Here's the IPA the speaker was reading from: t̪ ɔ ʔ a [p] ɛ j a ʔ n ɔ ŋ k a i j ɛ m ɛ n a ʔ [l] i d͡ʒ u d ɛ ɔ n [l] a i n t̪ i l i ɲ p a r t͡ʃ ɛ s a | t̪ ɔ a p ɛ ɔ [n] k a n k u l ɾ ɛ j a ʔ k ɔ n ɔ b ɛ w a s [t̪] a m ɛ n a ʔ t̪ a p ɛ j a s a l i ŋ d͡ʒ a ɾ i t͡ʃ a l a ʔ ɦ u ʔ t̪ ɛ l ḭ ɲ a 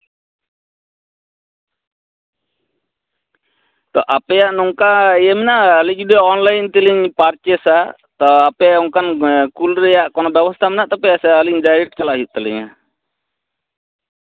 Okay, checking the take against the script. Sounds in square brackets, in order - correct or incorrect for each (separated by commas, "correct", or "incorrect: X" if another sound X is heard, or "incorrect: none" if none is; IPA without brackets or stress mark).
correct, correct, correct, incorrect: ŋ, correct